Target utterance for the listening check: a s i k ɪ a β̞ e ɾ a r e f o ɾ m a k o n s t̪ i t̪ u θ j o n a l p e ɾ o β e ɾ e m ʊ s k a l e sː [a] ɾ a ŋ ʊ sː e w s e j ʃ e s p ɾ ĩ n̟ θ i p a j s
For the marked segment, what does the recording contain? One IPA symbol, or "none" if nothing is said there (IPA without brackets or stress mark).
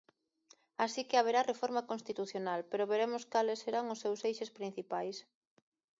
e